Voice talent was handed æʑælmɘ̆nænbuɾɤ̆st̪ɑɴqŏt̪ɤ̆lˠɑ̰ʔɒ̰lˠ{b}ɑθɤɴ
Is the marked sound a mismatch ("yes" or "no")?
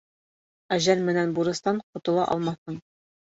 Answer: yes